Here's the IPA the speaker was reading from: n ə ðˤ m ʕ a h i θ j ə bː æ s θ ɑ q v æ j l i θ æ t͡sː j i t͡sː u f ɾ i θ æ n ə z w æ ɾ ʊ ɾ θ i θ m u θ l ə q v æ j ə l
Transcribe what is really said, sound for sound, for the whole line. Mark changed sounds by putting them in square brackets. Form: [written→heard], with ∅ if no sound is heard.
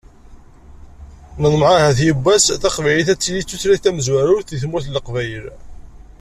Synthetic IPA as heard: n ə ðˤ m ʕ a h [i→æ] θ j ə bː æ s θ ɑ q v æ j l i θ æ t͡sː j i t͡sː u [f→θ] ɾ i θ æ [n→m] ə z w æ ɾ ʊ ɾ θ i θ m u θ l ə q v æ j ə l